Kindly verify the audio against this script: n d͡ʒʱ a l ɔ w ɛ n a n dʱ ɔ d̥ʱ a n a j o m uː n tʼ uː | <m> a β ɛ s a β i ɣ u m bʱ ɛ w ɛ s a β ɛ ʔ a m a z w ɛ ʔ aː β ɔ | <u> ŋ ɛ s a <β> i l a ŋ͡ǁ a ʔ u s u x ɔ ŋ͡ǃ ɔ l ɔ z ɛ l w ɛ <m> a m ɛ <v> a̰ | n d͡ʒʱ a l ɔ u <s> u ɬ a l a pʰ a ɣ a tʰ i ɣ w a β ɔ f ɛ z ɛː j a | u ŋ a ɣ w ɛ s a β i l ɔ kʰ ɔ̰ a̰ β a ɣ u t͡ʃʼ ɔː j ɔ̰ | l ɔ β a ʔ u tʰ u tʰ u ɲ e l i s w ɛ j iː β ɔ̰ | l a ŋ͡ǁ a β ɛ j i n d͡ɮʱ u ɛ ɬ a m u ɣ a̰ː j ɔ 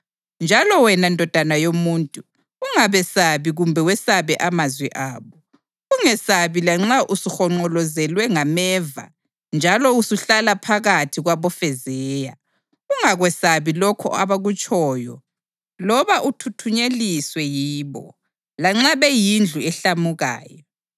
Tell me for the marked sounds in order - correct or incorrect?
incorrect, correct, correct, incorrect, correct, correct

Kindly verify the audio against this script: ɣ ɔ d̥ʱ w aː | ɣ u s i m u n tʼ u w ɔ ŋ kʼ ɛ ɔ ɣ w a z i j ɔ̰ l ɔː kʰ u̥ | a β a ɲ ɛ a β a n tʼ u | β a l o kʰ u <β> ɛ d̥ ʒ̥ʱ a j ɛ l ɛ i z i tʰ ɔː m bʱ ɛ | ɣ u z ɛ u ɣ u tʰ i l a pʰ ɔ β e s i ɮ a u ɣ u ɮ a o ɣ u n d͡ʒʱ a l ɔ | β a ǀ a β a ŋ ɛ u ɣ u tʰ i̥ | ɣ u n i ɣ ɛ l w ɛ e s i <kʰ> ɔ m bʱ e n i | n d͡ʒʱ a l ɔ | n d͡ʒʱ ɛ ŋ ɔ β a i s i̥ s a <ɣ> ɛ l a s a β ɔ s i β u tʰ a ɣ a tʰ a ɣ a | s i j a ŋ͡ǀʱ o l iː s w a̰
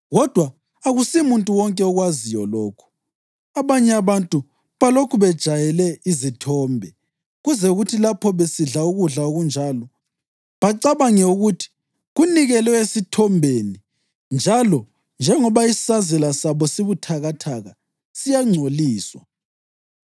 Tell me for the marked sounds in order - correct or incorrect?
correct, incorrect, incorrect

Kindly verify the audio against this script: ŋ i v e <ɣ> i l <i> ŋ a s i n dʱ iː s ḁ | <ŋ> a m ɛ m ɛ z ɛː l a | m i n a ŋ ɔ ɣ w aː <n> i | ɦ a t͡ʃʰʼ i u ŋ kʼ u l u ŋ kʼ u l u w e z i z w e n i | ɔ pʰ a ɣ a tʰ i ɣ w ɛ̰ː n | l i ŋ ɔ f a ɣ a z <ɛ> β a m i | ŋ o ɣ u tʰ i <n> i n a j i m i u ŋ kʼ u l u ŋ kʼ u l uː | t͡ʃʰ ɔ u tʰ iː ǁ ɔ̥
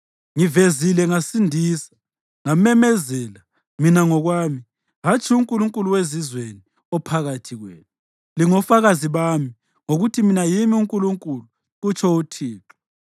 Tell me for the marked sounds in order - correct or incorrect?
incorrect, incorrect, correct, incorrect, incorrect, incorrect

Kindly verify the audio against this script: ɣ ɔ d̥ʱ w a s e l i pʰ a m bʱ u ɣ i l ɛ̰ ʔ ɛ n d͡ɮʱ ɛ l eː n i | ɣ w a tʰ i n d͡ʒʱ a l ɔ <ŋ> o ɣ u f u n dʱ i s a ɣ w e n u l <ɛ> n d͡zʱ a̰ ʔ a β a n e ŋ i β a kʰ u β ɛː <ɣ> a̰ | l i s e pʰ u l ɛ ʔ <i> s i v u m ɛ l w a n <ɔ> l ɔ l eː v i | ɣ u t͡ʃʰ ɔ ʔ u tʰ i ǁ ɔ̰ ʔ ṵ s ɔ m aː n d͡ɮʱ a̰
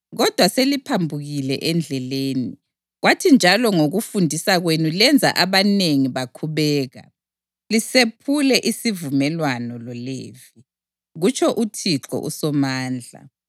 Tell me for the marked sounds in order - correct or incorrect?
correct, correct, correct, correct, correct

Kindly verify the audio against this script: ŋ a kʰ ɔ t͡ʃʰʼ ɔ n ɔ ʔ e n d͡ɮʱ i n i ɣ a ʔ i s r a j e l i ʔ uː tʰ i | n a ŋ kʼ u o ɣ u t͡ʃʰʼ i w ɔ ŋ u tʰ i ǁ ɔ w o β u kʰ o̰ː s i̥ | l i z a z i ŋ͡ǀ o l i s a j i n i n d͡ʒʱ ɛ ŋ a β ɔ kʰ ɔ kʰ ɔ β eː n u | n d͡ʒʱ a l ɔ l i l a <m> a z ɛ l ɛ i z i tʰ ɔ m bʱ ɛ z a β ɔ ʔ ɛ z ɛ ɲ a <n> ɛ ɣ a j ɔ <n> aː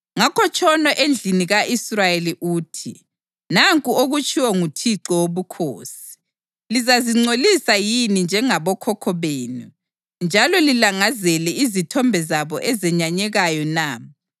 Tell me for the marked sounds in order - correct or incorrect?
incorrect, incorrect, correct

